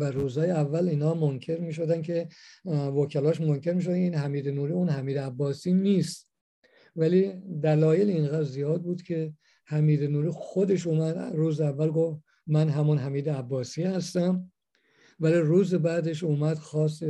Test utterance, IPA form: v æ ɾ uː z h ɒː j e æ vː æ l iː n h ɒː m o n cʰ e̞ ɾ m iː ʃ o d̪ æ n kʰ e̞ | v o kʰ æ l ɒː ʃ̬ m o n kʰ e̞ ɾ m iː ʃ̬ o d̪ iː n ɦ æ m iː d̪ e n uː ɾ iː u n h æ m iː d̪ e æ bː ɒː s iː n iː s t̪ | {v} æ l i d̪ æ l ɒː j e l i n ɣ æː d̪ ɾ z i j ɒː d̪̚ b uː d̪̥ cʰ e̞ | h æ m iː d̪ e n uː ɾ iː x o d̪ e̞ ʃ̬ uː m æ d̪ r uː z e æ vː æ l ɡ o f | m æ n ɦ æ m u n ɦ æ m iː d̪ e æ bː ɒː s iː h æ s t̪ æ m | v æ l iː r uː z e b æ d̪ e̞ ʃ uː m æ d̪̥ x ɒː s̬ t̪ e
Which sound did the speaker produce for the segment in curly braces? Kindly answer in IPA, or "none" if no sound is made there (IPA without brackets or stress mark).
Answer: v